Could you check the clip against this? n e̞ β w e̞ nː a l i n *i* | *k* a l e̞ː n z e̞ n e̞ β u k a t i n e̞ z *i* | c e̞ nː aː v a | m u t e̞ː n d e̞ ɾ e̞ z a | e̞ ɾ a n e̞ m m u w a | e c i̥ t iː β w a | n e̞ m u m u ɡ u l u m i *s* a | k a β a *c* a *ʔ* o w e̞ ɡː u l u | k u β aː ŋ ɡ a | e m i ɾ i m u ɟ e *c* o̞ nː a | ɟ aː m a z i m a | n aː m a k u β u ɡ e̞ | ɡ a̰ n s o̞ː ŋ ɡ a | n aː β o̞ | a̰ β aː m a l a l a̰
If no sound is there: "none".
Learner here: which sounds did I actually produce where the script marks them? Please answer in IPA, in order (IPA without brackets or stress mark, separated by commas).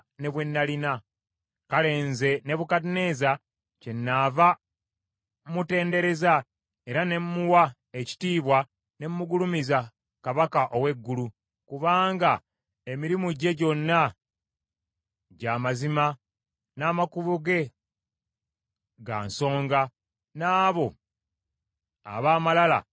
a, k, a, z, k, ʔ, ɟ